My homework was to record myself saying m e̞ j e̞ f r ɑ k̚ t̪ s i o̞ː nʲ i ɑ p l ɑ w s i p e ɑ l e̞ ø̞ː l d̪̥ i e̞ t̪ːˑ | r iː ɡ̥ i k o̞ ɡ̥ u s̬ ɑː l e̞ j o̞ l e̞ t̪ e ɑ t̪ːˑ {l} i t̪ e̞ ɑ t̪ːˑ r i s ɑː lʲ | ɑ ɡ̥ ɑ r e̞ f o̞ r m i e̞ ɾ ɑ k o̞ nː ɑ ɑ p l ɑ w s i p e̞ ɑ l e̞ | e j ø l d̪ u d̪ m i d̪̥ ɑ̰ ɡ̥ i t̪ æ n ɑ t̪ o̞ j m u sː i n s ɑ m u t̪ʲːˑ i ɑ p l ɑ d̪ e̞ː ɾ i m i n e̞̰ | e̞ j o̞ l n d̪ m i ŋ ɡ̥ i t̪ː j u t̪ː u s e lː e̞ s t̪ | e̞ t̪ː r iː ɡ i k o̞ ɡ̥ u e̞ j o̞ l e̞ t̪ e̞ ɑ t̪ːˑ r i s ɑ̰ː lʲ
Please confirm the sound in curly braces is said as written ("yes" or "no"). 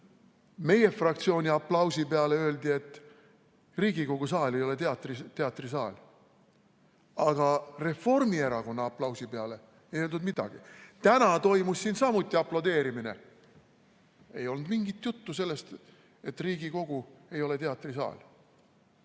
no